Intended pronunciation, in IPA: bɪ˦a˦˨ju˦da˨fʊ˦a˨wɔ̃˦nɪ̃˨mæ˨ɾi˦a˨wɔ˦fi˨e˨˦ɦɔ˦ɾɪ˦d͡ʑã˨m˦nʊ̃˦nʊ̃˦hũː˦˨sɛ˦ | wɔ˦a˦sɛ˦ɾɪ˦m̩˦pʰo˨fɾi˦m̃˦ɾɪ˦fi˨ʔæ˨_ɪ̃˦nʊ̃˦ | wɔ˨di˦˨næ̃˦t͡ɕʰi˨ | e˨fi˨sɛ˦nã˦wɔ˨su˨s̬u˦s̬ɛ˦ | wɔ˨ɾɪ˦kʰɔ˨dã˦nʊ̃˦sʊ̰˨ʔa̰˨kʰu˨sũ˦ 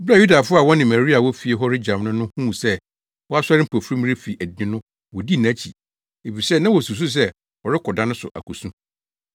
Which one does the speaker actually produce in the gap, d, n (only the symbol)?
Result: d